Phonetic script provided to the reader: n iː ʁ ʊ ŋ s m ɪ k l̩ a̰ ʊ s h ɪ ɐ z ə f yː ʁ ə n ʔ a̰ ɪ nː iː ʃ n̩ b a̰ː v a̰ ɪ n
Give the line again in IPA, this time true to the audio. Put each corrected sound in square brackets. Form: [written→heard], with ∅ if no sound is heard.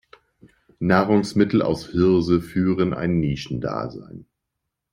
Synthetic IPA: n [iː→aː] ʁ ʊ ŋ s m ɪ [k→t] l̩ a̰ ʊ s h ɪ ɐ z ə f yː ʁ ə n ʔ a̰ ɪ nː iː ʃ n̩ [b→d] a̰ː [v→z] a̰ ɪ n